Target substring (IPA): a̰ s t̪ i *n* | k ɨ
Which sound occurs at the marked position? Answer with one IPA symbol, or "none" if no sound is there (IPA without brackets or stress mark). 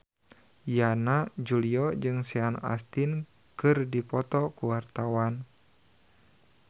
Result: n